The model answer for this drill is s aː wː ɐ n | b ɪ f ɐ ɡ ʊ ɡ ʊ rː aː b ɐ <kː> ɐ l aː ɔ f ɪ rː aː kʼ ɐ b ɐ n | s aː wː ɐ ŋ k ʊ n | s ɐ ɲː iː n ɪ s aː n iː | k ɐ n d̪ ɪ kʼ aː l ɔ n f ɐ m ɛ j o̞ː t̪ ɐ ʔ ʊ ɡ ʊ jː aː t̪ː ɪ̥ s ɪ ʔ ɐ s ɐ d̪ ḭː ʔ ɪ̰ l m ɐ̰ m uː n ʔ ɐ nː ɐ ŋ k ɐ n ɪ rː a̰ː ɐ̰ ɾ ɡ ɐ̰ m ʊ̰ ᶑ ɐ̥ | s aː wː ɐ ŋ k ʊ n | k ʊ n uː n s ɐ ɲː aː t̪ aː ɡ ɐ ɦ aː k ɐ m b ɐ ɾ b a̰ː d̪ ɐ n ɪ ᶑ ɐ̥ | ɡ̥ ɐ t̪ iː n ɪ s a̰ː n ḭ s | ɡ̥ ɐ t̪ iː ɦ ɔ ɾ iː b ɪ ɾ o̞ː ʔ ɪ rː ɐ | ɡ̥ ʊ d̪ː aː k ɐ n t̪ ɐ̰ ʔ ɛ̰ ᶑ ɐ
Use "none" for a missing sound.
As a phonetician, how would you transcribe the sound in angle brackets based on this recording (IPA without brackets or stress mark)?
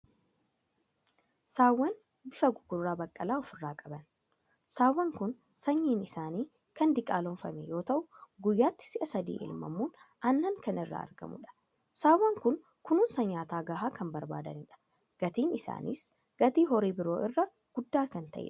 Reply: kʼː